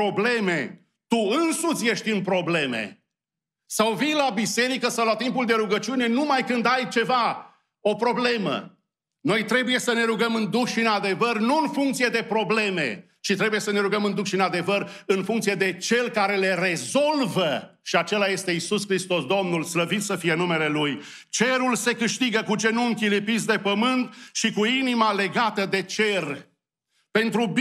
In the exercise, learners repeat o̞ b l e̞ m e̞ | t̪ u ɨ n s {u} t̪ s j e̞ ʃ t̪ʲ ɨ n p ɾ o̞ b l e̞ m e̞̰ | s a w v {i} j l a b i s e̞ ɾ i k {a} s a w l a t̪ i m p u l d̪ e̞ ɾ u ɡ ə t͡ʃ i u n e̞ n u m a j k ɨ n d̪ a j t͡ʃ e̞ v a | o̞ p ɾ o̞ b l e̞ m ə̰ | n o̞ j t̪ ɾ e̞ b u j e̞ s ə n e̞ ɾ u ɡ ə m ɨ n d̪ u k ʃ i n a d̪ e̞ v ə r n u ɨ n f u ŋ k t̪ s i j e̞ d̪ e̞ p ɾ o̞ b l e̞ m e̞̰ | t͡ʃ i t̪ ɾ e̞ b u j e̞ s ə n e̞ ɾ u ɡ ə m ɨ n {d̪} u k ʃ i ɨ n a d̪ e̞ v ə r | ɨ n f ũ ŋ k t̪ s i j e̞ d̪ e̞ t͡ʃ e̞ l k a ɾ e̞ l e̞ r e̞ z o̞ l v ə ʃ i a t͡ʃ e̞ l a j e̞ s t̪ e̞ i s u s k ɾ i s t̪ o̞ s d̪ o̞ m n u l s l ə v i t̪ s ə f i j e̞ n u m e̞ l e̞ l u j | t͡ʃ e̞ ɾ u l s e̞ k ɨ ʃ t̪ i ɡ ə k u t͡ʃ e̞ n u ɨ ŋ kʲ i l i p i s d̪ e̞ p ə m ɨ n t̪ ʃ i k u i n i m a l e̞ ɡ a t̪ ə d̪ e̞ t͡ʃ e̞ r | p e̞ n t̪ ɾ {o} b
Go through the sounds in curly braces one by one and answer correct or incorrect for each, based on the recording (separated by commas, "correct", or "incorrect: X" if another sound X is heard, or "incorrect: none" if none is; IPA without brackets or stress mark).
correct, correct, incorrect: ə, correct, incorrect: u